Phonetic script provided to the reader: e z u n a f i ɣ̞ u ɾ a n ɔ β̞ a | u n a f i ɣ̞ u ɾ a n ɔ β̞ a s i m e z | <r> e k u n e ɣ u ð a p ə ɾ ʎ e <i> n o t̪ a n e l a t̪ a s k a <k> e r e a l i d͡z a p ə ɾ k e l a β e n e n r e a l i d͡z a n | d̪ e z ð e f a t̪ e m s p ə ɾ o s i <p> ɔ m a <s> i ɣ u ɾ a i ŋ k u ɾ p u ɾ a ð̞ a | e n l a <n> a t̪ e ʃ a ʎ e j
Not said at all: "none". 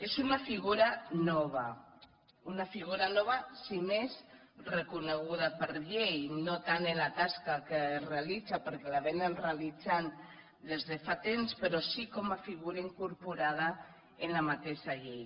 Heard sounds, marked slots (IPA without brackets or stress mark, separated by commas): r, j, k, k, f, m